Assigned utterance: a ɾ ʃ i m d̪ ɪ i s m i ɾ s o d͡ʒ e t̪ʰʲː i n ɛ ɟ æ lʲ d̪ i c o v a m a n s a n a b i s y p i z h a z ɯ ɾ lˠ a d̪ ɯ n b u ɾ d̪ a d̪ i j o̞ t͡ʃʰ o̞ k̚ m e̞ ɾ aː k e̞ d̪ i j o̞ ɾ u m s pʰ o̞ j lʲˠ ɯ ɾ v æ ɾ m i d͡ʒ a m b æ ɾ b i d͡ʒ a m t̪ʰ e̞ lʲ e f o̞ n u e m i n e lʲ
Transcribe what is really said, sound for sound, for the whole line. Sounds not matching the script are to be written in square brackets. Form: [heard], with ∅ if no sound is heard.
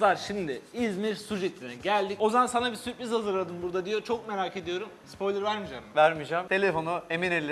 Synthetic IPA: a ɾ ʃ i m d̪ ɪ i [z] m i ɾ s [u] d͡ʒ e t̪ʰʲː i n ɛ ɟ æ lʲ d̪ i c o [z] a m a n s a n a b i s y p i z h a z ɯ ɾ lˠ a d̪ ɯ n b u ɾ d̪ a d̪ i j o̞ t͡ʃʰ o̞ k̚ m e̞ ɾ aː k e̞ d̪ i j o̞ ɾ u m s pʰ o̞ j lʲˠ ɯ ɾ v æ ɾ m i d͡ʒ a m [v] æ ɾ [m] i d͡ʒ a m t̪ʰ e̞ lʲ e f o̞ n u e m i n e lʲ